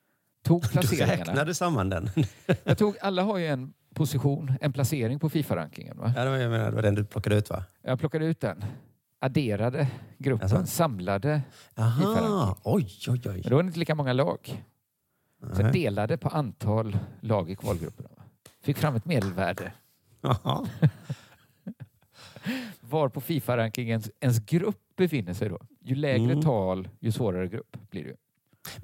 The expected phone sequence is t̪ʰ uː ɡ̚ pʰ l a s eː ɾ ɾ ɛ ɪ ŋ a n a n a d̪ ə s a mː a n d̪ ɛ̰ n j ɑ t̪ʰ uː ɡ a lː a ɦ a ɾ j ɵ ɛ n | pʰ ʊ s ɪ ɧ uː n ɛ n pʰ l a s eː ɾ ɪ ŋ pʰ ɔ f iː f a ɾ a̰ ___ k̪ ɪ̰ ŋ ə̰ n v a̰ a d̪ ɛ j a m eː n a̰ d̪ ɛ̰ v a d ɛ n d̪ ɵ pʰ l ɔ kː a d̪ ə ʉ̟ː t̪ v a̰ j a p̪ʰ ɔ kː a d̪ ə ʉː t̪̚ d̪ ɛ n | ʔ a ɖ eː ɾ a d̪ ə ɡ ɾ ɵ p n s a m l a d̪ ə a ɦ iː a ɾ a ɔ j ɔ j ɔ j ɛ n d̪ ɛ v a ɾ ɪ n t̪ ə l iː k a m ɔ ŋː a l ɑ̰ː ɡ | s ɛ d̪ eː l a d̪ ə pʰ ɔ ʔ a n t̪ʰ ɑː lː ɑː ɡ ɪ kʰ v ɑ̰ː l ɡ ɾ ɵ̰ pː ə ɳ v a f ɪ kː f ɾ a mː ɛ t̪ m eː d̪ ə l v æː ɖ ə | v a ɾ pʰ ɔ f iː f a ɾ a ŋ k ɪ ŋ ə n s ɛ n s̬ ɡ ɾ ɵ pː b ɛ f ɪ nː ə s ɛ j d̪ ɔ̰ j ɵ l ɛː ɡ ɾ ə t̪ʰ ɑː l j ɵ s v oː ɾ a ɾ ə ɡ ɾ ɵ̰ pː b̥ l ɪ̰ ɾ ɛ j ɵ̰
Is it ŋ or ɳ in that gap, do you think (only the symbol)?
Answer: ŋ